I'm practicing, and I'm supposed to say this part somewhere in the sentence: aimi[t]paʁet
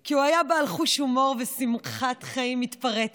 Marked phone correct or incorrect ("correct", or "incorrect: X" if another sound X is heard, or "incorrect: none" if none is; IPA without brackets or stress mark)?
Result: correct